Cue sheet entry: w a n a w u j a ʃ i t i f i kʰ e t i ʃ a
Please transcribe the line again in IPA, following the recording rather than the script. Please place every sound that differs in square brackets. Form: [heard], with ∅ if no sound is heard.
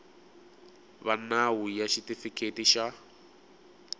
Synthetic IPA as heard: [β] a n a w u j a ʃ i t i f i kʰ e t i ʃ a